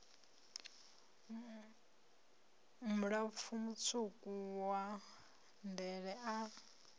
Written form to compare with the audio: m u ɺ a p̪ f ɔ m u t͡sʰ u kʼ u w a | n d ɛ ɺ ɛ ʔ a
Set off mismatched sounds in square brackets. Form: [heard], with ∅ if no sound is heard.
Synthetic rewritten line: m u ɺ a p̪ f [u] m u t͡sʰ u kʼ u w a | n d ɛ ɺ ɛ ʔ a